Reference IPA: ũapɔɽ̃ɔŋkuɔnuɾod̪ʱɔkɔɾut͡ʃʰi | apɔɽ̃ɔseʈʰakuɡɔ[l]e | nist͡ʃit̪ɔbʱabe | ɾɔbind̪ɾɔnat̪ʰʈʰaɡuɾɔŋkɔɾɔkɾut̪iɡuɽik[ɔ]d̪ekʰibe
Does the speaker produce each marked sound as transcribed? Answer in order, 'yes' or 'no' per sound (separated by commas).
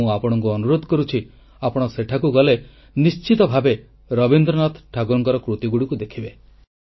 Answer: yes, no